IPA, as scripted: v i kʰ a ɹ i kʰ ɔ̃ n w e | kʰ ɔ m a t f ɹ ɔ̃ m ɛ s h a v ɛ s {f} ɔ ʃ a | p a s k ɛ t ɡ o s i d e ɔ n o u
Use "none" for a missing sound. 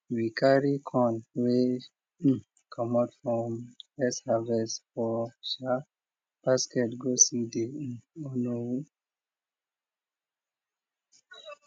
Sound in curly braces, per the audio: f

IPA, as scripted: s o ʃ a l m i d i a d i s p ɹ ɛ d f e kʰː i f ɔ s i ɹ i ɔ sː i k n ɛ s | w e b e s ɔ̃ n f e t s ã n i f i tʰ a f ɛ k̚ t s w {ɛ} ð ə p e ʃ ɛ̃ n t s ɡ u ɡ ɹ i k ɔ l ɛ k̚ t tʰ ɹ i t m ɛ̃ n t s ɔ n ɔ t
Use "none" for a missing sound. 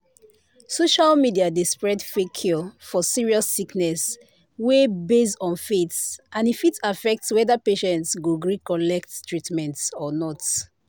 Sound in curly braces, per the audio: ɛ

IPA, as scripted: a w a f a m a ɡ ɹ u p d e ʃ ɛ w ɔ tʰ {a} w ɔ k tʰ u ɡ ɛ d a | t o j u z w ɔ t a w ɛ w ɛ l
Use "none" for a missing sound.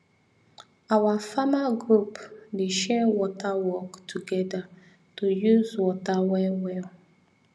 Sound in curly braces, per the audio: a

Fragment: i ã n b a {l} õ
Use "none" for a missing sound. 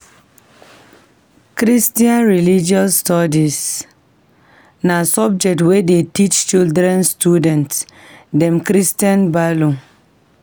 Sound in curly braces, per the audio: l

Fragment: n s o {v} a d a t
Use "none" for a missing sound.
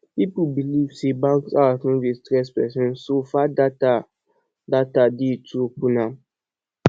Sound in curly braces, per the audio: f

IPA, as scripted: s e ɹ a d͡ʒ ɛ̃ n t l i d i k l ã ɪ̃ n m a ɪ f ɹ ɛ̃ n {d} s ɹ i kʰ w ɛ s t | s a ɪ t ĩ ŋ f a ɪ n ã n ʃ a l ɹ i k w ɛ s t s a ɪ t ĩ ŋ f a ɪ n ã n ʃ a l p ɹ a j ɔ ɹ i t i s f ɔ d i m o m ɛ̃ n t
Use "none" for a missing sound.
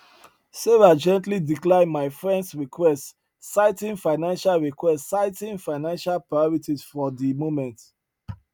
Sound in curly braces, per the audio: d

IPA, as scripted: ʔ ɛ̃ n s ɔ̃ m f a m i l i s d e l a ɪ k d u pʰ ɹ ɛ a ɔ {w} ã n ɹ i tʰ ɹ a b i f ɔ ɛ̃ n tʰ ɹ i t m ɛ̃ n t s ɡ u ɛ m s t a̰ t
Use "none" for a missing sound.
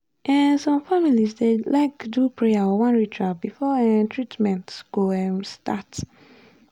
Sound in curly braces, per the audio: w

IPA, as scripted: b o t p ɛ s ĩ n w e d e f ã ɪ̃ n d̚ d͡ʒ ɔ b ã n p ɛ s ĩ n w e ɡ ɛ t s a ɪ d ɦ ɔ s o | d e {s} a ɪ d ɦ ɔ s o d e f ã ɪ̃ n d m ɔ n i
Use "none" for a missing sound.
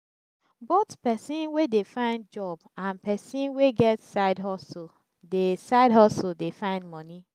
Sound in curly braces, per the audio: s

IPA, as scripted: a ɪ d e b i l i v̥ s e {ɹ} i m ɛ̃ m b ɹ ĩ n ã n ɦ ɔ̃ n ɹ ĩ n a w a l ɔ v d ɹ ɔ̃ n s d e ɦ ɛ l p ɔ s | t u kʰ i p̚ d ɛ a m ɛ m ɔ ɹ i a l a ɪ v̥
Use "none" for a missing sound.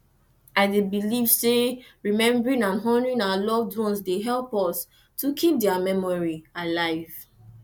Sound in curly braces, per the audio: ɹ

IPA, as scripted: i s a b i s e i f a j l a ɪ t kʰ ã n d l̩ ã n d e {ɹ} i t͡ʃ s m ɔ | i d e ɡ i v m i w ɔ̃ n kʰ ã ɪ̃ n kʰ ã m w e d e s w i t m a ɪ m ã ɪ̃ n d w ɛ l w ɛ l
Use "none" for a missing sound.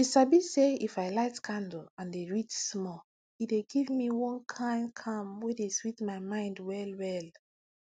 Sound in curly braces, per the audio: ɹ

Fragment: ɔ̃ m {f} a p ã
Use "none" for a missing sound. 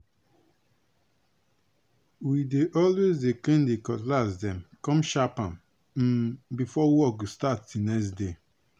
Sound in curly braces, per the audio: ʃ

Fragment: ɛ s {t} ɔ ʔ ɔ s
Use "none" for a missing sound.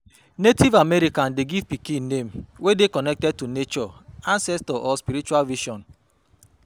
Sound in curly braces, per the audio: t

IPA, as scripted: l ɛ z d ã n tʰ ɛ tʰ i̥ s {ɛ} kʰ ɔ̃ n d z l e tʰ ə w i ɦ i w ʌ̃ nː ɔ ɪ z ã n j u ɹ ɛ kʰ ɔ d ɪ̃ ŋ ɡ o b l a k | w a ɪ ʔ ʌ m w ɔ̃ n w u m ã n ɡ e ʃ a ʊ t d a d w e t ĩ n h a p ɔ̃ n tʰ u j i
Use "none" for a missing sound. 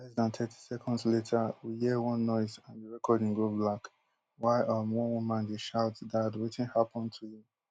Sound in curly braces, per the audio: ɛ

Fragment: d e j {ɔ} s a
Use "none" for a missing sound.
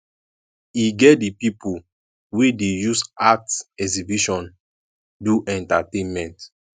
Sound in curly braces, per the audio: u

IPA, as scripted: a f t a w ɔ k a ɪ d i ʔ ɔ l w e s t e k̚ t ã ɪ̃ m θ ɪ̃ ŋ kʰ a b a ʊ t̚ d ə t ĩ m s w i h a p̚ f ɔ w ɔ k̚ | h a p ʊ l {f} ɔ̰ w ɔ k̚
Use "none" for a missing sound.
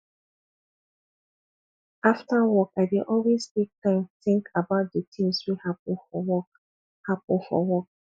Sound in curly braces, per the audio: f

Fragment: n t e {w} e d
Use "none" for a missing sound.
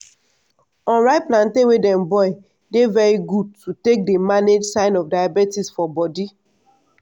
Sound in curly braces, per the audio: w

